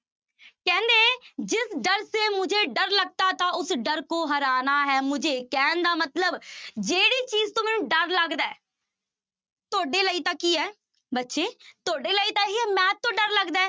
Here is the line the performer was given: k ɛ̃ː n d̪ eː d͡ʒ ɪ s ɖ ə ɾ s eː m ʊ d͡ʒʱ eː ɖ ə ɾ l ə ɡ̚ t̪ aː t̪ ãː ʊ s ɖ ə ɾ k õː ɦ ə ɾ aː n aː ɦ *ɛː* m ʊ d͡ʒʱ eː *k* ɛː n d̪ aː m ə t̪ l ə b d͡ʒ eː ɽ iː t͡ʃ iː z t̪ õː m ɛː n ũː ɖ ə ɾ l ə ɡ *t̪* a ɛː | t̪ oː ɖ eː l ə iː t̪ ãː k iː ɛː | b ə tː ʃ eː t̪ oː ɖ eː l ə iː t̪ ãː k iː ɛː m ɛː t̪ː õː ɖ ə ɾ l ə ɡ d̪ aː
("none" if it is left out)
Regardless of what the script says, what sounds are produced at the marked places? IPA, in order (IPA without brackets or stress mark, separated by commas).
ɛː, k, d̪